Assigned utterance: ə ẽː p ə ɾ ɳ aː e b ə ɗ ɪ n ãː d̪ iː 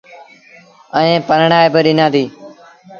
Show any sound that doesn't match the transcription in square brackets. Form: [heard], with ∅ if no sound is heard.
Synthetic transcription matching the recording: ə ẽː p ə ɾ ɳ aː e b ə ɗ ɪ n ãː d̪ iː